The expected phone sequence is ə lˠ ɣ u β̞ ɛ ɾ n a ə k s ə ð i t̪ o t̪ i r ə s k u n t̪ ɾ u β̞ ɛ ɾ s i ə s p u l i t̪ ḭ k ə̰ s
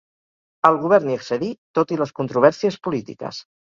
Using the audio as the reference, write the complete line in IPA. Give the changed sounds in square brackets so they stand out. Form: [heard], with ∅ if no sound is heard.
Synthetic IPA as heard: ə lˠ ɣ u β̞ ɛ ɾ n [i] ə k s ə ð i t̪ o t̪ i [l] ə s k u n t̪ ɾ u β̞ ɛ ɾ s i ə s p u l i t̪ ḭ k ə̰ s